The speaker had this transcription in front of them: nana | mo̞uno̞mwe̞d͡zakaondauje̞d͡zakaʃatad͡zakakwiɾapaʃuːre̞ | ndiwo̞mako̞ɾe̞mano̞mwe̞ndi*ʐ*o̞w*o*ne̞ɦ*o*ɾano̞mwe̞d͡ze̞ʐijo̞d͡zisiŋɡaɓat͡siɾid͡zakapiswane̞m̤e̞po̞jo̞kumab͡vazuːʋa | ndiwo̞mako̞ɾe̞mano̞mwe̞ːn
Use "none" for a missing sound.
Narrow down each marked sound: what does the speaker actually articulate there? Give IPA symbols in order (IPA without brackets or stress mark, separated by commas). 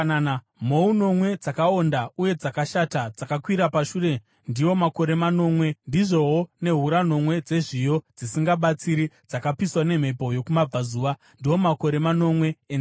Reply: ʐ, o, u